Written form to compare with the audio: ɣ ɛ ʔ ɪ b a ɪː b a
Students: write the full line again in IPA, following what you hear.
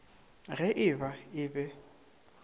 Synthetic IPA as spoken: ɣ ɛ ʔ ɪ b a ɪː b ɛ